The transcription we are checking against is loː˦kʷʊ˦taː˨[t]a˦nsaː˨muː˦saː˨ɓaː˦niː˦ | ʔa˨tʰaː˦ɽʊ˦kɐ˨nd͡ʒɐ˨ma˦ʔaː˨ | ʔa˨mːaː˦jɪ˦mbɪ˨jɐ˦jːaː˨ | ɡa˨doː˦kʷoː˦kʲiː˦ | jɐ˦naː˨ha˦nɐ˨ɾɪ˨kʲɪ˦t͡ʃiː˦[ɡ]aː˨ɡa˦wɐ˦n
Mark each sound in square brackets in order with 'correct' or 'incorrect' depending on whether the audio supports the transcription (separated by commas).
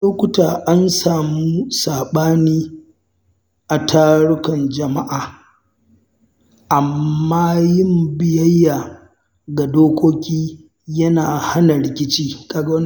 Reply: incorrect, incorrect